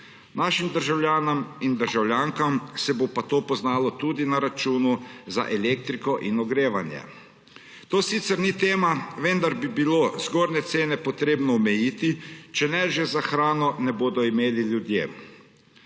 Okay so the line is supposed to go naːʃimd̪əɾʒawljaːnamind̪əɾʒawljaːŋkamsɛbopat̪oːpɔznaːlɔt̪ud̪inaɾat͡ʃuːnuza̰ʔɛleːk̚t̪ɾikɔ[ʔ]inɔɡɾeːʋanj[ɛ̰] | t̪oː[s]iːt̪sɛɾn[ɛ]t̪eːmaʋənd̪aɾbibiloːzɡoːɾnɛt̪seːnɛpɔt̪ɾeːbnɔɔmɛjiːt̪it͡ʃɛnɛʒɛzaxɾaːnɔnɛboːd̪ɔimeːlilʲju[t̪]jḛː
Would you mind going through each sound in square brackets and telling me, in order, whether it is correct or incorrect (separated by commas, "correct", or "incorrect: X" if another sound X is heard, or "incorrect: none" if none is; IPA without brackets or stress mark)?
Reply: correct, correct, correct, incorrect: i, incorrect: d̪